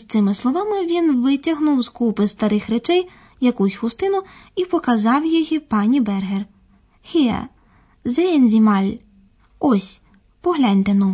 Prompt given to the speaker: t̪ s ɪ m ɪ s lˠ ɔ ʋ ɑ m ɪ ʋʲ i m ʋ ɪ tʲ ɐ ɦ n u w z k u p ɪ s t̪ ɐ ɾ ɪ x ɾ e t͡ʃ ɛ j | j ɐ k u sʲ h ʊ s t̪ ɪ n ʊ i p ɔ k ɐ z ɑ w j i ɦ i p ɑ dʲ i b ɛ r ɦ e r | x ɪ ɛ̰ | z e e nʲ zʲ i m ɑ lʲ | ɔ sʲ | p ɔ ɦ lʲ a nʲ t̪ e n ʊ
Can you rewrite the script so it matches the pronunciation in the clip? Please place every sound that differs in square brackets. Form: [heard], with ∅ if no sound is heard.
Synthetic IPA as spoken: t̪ s ɪ m ɪ s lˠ ɔ ʋ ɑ m ɪ ʋʲ i [n] ʋ ɪ tʲ ɐ ɦ n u w z k u p ɪ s t̪ ɐ ɾ ɪ x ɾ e t͡ʃ ɛ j | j ɐ k u sʲ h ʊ s t̪ ɪ n ʊ i p ɔ k ɐ z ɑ w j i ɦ i p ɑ [nʲ] i b ɛ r ɦ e r | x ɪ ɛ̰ | z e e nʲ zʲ i m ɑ lʲ | ɔ sʲ | p ɔ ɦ lʲ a nʲ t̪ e n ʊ